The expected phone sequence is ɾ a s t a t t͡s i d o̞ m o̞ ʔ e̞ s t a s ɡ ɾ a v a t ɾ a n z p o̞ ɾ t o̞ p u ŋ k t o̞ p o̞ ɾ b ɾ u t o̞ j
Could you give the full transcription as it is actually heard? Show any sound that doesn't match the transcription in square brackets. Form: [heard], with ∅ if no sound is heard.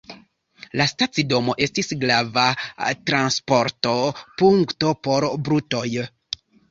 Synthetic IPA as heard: [l] a s t a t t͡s i d o̞ m o̞ ʔ e̞ s t [i] s ɡ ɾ a v a t ɾ a n [s] p o̞ ɾ t o̞ p u ŋ k t o̞ p o̞ ɾ b ɾ u t o̞ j